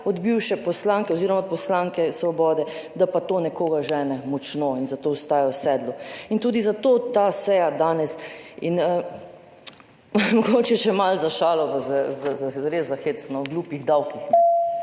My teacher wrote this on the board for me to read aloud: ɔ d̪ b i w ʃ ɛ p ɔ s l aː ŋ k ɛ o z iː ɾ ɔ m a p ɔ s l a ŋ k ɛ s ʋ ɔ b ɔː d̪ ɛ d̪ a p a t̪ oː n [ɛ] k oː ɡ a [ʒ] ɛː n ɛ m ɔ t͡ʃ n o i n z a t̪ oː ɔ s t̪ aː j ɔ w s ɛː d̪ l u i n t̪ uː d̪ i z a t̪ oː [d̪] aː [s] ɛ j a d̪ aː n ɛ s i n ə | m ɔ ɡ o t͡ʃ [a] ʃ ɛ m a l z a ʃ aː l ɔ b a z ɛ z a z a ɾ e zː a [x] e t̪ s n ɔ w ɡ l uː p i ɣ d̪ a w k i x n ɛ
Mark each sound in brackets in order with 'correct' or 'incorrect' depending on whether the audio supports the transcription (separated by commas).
correct, correct, incorrect, correct, incorrect, correct